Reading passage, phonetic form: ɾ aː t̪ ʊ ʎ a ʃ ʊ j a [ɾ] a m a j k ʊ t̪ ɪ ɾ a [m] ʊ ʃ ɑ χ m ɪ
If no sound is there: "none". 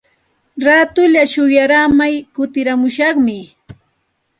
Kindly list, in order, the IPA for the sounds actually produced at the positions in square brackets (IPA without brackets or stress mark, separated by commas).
ɾ, m